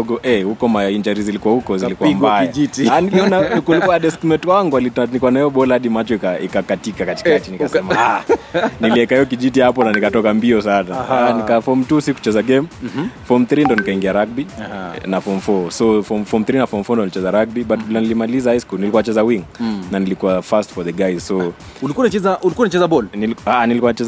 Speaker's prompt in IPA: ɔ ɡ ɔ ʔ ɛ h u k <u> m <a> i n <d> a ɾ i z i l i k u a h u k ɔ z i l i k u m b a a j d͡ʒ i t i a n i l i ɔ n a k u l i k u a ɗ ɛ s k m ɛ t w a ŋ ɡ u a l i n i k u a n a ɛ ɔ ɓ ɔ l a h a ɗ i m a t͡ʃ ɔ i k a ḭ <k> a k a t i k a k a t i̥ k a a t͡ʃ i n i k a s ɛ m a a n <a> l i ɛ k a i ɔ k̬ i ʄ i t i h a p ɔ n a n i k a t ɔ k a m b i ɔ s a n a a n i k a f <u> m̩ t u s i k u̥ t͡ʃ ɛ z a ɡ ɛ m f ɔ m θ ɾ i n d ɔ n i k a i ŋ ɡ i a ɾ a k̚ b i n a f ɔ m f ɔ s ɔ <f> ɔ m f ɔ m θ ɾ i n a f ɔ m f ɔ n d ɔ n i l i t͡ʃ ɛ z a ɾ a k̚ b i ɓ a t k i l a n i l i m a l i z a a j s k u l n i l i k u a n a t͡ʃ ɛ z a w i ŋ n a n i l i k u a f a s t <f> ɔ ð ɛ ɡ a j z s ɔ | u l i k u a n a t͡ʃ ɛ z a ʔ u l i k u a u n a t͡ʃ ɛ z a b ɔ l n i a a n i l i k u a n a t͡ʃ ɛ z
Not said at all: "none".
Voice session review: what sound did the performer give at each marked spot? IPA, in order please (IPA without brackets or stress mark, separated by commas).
ɔ, a, d͡ʒ, k, i, ɔ, f, f